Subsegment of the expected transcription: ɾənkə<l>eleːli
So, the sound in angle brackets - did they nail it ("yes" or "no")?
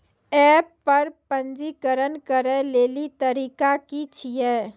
no